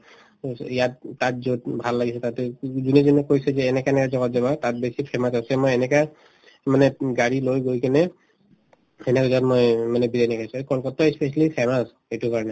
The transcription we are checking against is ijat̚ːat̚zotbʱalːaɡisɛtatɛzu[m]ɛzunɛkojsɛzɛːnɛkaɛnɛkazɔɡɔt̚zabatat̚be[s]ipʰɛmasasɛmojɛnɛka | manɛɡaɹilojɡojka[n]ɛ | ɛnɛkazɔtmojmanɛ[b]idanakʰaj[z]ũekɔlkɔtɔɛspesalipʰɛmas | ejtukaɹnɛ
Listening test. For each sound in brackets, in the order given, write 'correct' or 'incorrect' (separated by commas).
incorrect, correct, correct, correct, incorrect